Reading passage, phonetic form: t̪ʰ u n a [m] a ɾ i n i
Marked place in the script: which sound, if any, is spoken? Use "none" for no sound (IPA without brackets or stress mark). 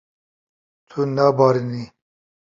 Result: b